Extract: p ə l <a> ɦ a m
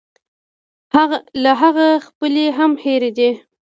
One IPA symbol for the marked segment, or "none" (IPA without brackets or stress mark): e